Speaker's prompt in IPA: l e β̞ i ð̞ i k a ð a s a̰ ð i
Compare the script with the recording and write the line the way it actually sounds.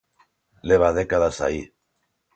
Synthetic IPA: l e β̞ a ð̞ e k a ð a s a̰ i